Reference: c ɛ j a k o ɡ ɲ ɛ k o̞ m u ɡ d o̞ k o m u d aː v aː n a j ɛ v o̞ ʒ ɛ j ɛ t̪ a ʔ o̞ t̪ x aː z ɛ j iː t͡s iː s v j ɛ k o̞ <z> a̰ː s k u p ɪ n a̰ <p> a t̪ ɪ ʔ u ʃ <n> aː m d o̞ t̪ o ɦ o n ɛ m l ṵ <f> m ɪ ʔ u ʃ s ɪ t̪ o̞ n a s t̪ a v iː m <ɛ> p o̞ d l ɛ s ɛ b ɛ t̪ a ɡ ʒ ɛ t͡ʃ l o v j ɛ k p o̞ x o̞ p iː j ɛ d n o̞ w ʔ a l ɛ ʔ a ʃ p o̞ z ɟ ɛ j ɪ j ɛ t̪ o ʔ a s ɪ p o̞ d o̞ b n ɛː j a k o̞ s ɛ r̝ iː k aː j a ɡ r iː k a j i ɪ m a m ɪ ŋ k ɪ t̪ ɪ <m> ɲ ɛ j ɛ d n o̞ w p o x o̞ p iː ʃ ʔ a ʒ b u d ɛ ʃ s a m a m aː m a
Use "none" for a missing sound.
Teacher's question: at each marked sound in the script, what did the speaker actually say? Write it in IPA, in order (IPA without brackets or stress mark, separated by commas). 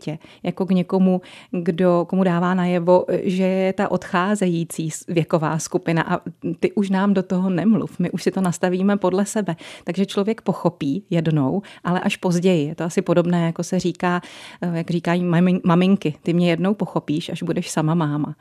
v, ʔ, n, f, ɛ, m